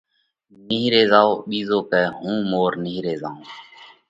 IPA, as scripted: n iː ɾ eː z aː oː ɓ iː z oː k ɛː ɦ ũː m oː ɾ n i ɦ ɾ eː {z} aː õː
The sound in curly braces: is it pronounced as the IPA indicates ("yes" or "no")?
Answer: yes